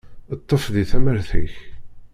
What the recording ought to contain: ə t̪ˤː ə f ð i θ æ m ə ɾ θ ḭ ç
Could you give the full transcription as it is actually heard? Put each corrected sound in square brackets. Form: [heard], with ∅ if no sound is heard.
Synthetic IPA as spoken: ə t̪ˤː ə f ð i θ æ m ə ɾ θ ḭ ç

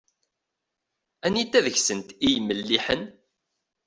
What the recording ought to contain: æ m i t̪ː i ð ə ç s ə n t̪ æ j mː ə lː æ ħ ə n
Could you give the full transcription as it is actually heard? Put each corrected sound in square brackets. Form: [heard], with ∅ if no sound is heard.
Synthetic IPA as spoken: æ [n] i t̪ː [æ] ð ə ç s ə n t̪ [i] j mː ə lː [i] ħ ə n

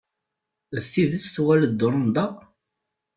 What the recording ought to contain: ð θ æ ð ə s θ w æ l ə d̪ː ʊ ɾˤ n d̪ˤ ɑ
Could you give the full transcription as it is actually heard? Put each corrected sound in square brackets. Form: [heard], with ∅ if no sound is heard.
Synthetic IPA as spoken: ð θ [i] ð ə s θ w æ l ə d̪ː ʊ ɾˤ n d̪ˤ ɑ

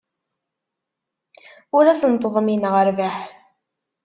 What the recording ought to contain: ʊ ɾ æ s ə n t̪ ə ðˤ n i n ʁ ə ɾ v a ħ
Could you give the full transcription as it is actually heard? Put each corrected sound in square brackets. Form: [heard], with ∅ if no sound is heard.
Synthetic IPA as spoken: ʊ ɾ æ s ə n t̪ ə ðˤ [m] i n ʁ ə ɾ v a ħ

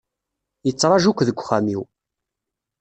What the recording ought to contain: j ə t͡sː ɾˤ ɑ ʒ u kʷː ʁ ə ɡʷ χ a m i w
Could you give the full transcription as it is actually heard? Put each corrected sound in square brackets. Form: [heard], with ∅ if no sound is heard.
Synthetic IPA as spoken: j ə t͡sː ɾˤ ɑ ʒ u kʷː [ð] ə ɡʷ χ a m i w

